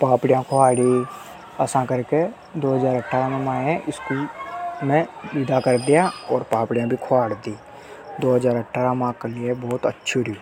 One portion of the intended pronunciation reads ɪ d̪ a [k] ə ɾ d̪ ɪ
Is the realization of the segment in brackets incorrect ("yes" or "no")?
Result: no